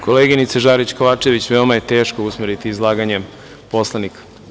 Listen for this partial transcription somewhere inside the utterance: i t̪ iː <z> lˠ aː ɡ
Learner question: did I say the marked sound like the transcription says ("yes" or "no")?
yes